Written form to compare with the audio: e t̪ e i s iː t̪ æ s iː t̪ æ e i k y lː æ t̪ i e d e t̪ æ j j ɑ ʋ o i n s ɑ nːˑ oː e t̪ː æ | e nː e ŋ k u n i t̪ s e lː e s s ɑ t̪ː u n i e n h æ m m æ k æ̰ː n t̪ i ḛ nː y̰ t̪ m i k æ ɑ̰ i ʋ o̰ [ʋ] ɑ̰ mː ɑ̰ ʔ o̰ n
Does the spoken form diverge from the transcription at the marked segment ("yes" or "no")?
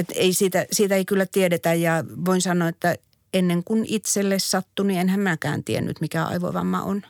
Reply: no